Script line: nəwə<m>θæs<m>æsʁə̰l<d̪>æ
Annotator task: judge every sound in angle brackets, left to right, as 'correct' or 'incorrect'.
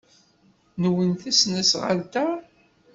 incorrect: n, incorrect: n, incorrect: t̪

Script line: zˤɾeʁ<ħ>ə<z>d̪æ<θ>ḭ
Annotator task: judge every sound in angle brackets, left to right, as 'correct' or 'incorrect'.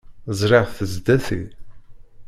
incorrect: θ, correct, correct

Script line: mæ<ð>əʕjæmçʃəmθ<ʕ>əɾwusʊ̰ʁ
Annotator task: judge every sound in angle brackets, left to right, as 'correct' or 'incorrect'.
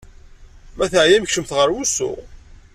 incorrect: θ, incorrect: ʁ

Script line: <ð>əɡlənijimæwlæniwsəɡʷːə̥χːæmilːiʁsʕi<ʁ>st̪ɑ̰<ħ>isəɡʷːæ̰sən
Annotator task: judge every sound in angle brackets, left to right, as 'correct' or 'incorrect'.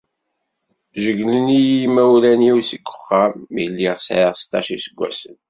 incorrect: ʒ, correct, incorrect: ʃ

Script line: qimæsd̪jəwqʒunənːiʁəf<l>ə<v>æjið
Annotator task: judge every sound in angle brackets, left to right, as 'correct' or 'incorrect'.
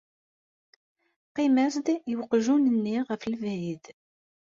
correct, correct

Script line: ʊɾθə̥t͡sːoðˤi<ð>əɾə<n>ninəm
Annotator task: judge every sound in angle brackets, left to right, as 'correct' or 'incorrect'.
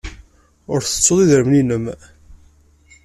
correct, incorrect: m

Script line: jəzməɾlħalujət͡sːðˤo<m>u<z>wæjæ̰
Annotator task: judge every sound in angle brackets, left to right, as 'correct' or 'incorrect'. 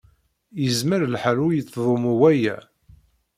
correct, incorrect: none

